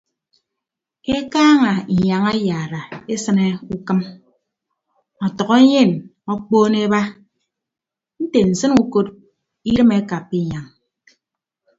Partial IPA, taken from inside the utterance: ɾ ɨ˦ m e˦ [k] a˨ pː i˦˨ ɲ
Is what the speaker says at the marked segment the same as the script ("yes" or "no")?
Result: yes